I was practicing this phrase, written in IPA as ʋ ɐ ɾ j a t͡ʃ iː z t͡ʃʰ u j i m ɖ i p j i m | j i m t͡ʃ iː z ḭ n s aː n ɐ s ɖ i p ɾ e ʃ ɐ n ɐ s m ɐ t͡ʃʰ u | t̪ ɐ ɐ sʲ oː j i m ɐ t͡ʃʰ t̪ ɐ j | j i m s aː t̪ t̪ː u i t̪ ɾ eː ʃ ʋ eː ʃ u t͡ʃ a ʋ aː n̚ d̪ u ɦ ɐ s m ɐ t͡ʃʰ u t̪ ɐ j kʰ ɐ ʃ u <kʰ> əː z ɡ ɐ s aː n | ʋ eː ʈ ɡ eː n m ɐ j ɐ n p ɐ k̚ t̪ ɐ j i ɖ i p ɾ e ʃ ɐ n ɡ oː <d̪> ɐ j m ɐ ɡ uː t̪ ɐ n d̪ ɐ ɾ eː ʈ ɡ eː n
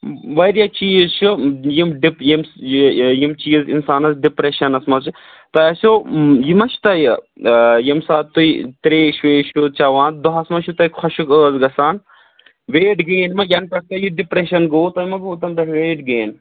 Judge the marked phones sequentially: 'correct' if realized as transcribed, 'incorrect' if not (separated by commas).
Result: incorrect, incorrect